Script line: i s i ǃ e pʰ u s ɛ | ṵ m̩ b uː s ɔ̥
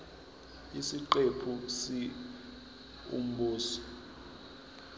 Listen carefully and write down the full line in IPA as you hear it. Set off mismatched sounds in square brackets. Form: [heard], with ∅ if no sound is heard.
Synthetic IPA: i s i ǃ e pʰ u s [i] | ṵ m̩ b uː s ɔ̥